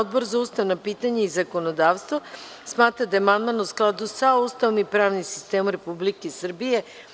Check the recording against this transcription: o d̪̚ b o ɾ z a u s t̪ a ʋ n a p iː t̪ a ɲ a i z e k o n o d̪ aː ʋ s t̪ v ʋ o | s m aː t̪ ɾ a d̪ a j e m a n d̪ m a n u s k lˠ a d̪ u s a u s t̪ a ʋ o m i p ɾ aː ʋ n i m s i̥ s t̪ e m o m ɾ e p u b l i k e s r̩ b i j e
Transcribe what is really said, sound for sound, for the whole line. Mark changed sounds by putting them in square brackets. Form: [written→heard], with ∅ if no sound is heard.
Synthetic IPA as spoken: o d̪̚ b o ɾ z a u s t̪ a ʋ n a p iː t̪ a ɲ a i z [e→a] k o n o d̪ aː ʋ s t̪ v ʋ o | s m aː t̪ ɾ a d̪ a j e m a n d̪ m a n u s k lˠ a d̪ u s a u s t̪ a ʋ o m i p ɾ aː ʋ n i m s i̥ s t̪ e m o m ɾ e p u b l i k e s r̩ b i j e